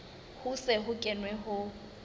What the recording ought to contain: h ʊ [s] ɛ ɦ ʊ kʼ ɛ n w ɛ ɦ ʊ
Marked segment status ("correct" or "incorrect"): correct